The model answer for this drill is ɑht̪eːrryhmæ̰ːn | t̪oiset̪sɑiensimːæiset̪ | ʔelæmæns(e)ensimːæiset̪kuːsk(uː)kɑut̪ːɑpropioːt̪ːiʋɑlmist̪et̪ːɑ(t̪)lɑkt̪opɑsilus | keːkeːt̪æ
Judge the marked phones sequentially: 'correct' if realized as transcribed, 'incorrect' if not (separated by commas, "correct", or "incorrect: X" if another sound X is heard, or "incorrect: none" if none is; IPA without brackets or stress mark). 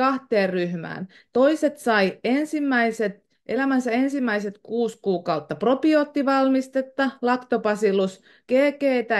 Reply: incorrect: æ, correct, incorrect: none